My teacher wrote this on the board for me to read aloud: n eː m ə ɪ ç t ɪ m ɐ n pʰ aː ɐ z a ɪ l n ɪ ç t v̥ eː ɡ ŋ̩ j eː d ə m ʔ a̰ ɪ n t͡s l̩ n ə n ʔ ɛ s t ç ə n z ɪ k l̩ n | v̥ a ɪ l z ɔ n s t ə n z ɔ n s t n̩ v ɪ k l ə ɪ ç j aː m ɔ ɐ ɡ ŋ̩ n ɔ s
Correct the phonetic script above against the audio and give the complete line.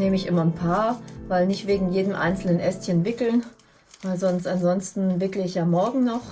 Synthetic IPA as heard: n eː m ə ɪ ç ʔ ɪ m ɐ n pʰ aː ɐ v a ɪ l n ɪ ç t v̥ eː ɡ ŋ̩ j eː d ə m ʔ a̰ ɪ n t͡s l̩ n ə n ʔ ɛ s t ç ə n v ɪ k l̩ n | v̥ a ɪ l z ɔ n s t a n z ɔ n s t n̩ v ɪ k l ə ɪ ç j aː m ɔ ɐ ɡ ŋ̩ n ɔ χ